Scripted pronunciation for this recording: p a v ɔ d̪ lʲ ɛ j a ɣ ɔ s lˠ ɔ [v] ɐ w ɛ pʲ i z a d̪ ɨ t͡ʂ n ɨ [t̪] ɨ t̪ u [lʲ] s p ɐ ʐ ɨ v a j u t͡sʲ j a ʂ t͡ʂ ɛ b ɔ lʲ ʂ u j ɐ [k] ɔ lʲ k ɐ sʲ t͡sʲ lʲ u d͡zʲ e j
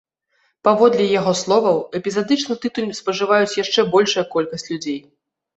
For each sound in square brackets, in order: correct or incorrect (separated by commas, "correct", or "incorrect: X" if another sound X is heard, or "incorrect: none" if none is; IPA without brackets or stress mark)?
correct, correct, correct, correct